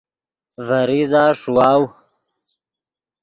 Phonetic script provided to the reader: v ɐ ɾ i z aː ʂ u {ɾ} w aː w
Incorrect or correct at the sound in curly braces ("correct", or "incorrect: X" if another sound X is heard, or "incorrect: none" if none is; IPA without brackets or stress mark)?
incorrect: none